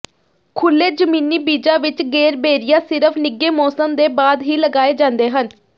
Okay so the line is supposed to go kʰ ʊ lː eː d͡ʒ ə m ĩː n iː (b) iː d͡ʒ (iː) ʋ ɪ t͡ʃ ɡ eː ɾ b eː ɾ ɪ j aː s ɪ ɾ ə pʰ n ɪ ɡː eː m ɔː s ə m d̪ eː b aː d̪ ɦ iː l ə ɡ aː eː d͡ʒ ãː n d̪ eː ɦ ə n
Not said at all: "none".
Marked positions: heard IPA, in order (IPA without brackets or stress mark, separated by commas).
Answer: b, aː